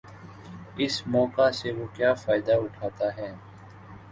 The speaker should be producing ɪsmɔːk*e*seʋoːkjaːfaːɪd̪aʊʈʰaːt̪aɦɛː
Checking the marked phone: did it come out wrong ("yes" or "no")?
yes